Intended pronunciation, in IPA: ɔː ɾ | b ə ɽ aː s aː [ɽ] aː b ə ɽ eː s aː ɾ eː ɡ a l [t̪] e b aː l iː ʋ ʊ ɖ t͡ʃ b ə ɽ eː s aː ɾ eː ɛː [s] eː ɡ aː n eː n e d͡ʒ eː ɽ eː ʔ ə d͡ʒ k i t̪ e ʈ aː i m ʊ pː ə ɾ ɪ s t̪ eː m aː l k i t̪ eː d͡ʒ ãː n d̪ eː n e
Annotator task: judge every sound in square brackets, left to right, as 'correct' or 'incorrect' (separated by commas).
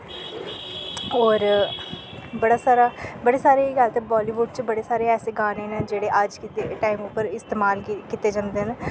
incorrect, correct, correct